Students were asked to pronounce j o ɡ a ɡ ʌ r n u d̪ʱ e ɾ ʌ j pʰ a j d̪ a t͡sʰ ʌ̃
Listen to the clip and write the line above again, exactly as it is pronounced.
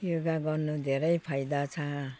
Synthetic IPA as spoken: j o ɡ a ɡ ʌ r n u d̪ʱ e ɾ ʌ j pʰ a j d̪ a t͡sʰ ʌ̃